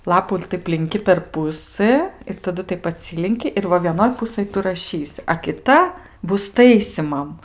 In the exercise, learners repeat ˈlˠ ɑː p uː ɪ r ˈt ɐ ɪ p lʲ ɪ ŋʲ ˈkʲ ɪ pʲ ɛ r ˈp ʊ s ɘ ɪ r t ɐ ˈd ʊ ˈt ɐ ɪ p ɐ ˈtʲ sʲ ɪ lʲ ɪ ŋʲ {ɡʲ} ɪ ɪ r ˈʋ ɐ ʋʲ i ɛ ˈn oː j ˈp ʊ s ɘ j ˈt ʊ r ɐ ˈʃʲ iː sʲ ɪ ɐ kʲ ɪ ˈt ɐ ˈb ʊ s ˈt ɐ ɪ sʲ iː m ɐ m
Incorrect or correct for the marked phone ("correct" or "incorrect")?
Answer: incorrect